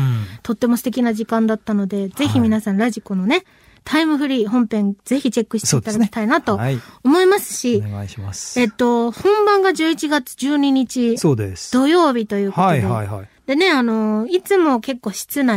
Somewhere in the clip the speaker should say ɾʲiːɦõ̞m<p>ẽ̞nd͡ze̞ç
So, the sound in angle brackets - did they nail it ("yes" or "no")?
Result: yes